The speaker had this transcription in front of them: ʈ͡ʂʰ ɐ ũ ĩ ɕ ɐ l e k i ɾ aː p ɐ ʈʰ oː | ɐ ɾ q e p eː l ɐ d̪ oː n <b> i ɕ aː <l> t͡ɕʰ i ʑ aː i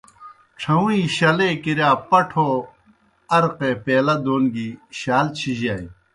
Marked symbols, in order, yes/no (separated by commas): no, yes